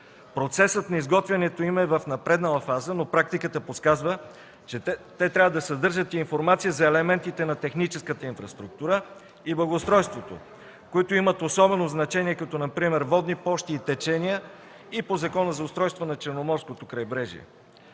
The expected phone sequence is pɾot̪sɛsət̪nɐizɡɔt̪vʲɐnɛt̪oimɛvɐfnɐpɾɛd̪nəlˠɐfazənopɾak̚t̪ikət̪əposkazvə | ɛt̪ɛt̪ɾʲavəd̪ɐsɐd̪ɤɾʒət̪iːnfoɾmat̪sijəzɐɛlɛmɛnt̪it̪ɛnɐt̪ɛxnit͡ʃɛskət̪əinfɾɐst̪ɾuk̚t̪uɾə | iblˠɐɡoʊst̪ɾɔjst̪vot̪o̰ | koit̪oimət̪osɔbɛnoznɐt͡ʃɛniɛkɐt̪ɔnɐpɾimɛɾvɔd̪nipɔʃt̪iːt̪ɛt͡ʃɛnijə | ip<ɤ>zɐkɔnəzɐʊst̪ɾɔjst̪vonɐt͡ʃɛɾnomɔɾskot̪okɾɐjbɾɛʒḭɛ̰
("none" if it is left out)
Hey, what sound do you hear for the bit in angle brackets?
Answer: o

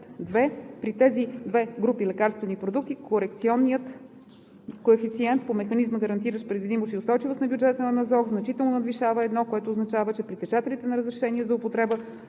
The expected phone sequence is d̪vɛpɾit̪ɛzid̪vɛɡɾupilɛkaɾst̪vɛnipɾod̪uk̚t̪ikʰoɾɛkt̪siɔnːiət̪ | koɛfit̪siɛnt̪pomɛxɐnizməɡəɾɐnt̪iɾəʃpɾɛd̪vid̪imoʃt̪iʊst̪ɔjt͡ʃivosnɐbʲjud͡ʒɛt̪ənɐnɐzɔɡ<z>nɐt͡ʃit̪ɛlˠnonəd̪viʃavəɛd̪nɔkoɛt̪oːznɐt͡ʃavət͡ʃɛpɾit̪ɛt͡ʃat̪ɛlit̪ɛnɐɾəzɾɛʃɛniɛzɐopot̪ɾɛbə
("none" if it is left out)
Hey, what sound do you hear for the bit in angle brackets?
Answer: z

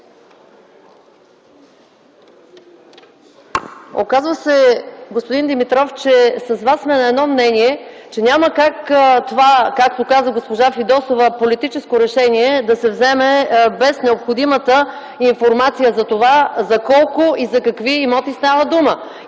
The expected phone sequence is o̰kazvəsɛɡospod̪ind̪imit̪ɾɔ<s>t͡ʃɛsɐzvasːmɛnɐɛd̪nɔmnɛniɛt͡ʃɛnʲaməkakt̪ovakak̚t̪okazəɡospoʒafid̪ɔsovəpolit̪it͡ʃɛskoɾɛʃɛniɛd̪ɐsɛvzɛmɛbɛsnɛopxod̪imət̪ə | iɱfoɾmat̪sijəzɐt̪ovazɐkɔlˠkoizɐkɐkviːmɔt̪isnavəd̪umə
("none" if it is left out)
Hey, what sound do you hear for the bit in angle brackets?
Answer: f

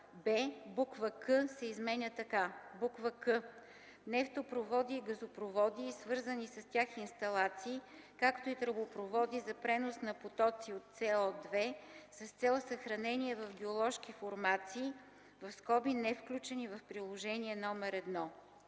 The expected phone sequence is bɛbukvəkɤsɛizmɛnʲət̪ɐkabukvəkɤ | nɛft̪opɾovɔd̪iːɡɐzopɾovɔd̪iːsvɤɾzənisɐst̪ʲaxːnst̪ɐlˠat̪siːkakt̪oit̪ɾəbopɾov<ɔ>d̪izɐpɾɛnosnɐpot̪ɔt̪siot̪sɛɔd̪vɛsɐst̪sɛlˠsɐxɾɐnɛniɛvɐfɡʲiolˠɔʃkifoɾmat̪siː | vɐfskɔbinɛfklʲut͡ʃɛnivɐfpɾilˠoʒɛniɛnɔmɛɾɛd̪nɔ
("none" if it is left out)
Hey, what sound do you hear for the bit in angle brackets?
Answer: ɔ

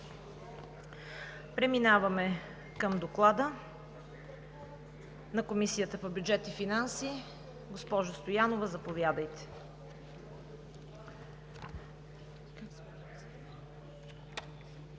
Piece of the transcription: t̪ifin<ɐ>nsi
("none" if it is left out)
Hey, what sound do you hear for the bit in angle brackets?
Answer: a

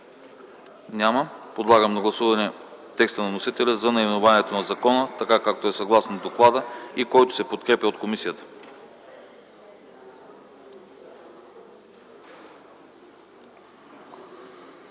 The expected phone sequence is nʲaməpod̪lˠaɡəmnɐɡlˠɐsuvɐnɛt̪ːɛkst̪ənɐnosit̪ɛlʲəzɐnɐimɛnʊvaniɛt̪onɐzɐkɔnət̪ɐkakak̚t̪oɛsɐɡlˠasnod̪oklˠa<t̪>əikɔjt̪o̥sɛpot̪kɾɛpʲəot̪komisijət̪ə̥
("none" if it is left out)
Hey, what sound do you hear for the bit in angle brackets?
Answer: d̪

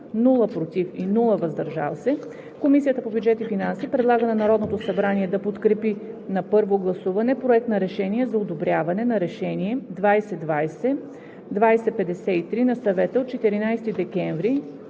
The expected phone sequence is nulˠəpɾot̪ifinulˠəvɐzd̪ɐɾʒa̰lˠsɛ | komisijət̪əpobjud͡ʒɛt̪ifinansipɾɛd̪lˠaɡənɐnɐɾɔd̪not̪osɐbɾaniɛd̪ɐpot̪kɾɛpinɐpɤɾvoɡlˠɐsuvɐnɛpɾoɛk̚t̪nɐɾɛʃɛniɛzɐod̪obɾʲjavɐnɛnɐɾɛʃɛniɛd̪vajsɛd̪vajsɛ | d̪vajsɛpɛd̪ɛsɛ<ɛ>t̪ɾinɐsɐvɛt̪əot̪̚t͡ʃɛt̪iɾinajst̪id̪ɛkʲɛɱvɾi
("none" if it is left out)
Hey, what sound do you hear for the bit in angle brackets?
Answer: i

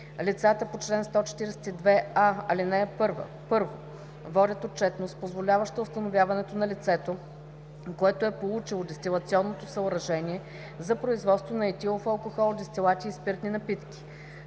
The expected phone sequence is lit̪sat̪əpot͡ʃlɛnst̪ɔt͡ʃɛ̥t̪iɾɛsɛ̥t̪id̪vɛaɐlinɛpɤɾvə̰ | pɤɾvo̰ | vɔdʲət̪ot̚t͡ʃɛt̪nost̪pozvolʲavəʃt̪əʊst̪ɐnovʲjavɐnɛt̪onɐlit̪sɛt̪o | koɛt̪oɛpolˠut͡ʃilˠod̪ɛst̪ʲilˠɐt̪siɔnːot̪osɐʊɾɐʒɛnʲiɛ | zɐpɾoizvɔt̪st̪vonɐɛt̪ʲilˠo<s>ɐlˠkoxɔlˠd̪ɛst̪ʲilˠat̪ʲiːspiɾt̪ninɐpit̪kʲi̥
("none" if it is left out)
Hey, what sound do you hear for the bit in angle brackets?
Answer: f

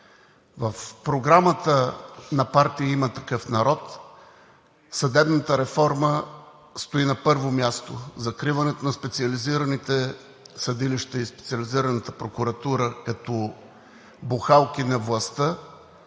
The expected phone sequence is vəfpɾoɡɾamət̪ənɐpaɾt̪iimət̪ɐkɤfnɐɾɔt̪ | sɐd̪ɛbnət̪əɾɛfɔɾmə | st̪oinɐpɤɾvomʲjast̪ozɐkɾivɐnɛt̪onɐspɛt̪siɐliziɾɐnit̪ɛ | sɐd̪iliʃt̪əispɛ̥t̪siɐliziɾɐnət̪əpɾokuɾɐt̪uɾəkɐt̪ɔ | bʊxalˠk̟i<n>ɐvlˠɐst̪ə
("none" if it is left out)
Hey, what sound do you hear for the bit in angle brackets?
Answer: n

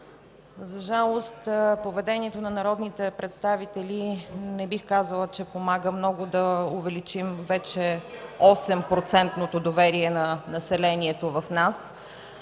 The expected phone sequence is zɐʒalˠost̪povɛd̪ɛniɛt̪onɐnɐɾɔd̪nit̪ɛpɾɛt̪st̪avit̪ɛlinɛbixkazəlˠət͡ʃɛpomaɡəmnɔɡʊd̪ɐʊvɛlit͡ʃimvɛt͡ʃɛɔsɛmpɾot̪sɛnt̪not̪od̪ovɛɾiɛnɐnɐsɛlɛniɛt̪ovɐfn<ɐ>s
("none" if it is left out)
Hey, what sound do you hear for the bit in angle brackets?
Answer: a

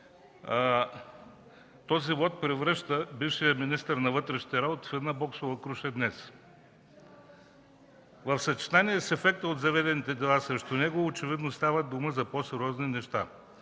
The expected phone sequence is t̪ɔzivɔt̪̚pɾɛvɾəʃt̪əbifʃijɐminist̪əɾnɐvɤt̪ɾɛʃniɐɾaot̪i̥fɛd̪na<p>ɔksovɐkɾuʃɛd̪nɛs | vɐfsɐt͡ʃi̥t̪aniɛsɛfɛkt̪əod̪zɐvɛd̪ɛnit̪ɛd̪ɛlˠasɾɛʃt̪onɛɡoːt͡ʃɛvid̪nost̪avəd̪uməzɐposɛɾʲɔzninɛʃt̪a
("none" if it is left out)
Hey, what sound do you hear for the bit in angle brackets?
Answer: b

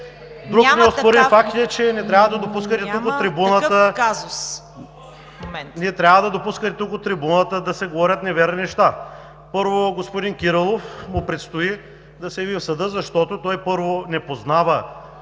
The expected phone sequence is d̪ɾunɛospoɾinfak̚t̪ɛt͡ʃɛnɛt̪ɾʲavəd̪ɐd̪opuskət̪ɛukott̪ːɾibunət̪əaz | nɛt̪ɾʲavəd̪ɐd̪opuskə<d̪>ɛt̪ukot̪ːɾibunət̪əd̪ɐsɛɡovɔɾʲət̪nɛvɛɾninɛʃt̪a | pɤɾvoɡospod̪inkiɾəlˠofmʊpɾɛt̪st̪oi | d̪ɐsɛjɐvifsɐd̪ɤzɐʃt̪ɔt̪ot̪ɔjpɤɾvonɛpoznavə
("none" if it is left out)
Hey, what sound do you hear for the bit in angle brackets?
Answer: t̪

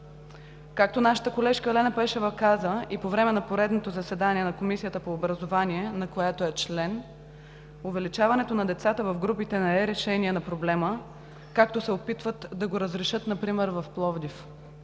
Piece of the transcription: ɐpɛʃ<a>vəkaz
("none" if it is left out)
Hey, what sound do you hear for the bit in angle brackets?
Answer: ɛ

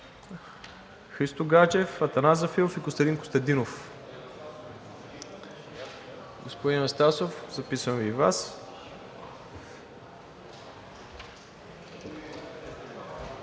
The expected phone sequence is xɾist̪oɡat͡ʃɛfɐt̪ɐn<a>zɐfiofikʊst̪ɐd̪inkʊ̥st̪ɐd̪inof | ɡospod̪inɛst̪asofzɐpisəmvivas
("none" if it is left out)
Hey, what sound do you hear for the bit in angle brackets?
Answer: a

